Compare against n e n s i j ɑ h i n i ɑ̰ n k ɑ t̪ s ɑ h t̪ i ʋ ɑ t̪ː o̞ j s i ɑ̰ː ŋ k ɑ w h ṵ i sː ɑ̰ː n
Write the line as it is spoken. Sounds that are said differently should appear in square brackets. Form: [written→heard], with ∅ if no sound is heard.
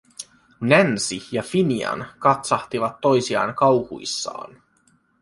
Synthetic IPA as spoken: n [e→æ] n s i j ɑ [h→f] i n i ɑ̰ n k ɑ t̪ s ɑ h t̪ i ʋ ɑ t̪ː o̞ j s i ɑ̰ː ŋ k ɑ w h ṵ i sː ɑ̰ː n